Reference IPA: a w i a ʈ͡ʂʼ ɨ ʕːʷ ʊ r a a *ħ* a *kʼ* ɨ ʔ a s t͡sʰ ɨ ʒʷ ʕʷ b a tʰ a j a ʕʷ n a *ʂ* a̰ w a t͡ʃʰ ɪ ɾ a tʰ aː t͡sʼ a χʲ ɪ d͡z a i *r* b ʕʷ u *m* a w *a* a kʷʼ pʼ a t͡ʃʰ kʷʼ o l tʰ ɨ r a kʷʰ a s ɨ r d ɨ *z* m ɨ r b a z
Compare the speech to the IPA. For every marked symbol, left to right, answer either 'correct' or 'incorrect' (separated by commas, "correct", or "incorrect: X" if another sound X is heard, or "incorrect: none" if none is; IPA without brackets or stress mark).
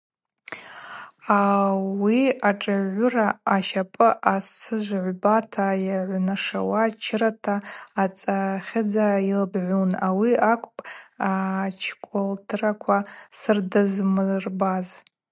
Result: incorrect: ʃ, incorrect: pʼ, correct, incorrect: l, incorrect: n, incorrect: i, correct